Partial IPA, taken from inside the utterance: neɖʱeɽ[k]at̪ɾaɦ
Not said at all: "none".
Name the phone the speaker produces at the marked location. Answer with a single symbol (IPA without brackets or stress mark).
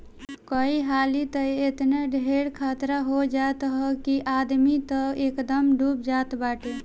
kʰ